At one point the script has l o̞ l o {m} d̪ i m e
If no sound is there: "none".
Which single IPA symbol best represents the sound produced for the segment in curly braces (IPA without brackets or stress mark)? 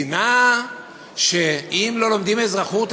m